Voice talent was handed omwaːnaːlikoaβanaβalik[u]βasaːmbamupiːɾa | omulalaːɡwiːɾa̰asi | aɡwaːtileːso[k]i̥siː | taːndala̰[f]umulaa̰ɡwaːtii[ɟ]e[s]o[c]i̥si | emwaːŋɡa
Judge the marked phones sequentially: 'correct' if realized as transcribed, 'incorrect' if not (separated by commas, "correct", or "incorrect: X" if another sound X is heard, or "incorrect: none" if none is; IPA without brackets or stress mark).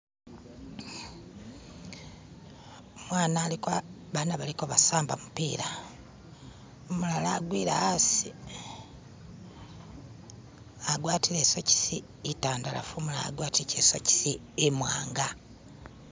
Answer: incorrect: o, incorrect: c, correct, incorrect: c, correct, correct